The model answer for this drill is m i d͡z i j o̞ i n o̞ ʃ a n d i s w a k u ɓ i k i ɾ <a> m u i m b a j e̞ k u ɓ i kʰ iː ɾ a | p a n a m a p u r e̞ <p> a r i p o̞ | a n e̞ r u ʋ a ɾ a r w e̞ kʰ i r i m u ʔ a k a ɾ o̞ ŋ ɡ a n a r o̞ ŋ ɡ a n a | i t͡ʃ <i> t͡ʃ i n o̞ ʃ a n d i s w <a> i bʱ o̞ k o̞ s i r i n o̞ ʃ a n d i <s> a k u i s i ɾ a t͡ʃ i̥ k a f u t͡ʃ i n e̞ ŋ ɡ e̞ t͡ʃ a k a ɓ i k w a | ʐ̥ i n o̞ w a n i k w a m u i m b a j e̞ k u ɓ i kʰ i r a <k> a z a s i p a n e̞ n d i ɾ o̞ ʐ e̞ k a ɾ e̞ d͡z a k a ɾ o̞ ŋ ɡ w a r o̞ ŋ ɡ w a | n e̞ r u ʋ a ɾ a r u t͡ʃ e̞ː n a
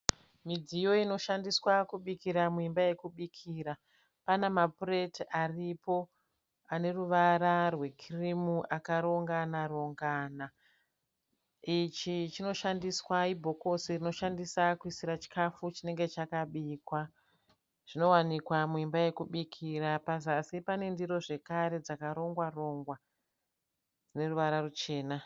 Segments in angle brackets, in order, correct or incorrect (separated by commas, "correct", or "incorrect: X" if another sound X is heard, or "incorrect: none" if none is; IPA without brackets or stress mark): correct, incorrect: t, correct, correct, correct, incorrect: p